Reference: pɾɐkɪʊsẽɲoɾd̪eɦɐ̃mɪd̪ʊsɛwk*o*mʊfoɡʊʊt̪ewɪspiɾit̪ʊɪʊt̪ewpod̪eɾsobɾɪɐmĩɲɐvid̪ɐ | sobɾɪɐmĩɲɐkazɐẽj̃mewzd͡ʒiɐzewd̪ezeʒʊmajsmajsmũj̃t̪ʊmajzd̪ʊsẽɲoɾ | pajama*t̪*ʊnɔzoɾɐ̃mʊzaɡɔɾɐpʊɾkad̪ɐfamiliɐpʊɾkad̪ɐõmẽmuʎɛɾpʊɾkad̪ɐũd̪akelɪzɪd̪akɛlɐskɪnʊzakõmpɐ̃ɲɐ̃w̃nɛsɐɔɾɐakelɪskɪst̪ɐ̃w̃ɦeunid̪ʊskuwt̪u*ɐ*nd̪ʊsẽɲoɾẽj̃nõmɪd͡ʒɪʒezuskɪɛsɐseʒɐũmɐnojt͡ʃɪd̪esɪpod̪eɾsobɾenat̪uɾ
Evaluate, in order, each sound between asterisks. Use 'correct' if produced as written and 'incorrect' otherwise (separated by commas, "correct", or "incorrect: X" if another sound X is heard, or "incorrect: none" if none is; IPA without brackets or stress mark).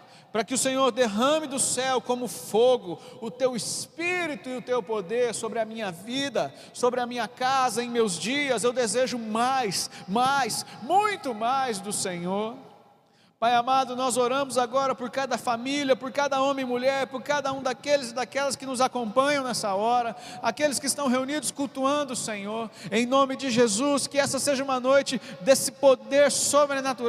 incorrect: õ, incorrect: d̪, incorrect: ɐ̃